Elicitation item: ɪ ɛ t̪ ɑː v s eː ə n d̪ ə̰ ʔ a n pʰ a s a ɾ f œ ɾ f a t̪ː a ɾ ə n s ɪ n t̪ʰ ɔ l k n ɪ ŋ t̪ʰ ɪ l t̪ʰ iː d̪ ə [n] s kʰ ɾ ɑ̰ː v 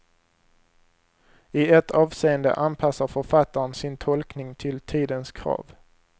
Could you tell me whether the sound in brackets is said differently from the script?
no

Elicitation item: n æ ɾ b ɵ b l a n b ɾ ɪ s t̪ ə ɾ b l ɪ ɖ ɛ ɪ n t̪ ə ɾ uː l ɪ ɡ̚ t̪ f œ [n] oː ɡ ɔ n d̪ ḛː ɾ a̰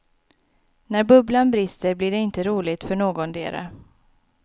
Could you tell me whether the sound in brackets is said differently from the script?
yes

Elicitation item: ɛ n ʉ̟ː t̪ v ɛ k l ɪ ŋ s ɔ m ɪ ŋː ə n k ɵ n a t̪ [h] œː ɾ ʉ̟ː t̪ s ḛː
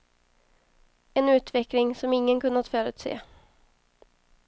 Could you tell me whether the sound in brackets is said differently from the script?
yes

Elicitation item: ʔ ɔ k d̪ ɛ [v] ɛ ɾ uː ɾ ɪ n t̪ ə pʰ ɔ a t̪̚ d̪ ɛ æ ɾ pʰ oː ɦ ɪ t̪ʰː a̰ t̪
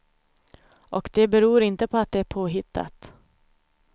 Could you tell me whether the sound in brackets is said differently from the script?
yes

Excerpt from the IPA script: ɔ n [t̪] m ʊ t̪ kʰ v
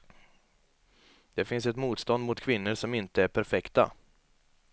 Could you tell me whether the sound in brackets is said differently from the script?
yes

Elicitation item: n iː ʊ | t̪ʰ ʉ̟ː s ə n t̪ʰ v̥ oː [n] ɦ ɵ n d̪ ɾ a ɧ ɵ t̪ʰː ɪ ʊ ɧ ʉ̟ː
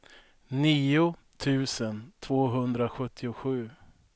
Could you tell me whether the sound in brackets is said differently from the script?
yes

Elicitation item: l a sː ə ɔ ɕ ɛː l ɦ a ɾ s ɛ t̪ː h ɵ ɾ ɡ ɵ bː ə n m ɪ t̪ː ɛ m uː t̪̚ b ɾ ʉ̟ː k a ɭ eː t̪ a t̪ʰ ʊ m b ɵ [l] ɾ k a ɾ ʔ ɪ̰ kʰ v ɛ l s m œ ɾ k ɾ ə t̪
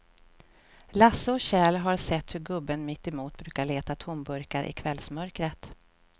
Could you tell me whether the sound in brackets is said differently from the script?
yes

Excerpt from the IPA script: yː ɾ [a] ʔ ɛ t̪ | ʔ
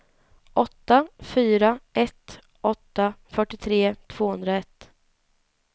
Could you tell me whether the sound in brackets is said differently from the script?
no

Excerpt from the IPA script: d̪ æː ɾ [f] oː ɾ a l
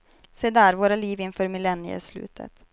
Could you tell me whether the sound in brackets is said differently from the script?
yes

